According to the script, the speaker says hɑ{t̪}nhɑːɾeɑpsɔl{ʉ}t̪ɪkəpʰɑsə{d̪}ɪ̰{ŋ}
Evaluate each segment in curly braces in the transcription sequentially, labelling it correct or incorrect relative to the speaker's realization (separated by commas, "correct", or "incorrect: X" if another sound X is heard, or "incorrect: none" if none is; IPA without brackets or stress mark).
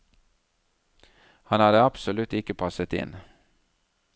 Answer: incorrect: none, correct, incorrect: t̪, incorrect: n